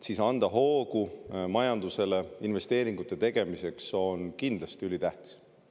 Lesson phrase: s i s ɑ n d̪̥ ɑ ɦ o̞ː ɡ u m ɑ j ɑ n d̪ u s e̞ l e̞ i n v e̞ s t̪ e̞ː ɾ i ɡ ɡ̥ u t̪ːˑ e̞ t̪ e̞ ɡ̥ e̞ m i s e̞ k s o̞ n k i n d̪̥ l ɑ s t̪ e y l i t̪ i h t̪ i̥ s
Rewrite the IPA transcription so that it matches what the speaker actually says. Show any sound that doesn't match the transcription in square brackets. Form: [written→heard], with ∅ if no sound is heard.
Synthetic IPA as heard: s i s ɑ n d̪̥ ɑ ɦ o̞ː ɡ u m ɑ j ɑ n d̪ u s e̞ l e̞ i n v e̞ s t̪ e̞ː ɾ i [ɡ→ŋ] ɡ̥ u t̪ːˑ e̞ t̪ e̞ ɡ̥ e̞ m i s e̞ k s o̞ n k i n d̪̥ l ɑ s t̪ [e→i] y l i t̪ [i→æ] h t̪ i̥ s